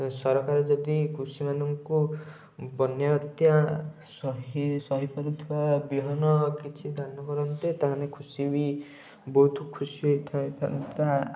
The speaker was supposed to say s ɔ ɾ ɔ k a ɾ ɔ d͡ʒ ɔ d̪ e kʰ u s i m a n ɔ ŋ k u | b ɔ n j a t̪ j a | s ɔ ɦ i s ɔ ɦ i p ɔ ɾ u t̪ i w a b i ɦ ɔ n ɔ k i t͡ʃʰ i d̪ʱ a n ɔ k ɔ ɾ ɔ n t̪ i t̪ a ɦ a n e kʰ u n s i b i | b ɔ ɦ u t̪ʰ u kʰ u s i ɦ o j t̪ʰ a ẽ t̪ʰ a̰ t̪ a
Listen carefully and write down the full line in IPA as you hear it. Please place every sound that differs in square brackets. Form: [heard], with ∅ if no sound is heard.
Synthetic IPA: s ɔ ɾ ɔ k a ɾ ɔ d͡ʒ ɔ d̪ [i] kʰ u s i m a n ɔ ŋ k u | b ɔ n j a t̪ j a | s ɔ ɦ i s ɔ ɦ i p ɔ ɾ u [t̪ʰ] i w a b i ɦ ɔ n ɔ k i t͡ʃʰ i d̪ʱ a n ɔ k ɔ ɾ ɔ n t̪ [e] t̪ a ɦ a n e kʰ u [∅] s i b i | b ɔ ɦ u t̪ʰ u kʰ u s i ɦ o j t̪ʰ a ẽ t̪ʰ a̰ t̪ a